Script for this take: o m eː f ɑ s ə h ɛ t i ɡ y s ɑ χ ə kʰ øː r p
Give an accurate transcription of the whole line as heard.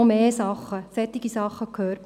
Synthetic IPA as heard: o m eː s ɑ χ ə s ɛ t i ɡ i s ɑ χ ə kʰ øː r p